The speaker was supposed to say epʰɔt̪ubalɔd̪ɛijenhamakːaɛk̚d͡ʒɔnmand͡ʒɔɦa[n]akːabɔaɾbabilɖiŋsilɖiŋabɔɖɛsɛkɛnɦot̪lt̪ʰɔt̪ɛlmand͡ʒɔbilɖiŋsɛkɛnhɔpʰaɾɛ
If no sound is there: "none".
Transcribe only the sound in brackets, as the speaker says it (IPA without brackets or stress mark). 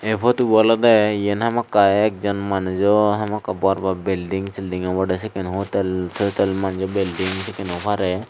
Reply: m